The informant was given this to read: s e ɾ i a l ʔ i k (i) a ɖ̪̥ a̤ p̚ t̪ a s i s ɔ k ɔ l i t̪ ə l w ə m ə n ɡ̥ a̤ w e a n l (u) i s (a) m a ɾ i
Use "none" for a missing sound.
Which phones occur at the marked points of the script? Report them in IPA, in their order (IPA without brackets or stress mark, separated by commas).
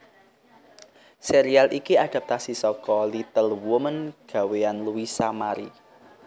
i, u, a